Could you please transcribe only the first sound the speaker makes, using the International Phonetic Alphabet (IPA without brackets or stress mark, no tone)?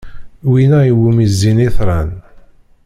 w